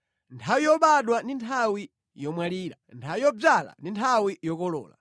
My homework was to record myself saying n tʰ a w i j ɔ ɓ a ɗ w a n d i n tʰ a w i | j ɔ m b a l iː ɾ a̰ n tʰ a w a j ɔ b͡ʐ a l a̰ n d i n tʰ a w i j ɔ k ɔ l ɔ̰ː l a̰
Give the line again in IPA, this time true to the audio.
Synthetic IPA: n tʰ a w i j ɔ ɓ a ɗ w a n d i n tʰ a w i | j ɔ m w a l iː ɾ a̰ n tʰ a w i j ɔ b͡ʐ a l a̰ n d i n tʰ a w i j ɔ k ɔ l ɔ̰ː l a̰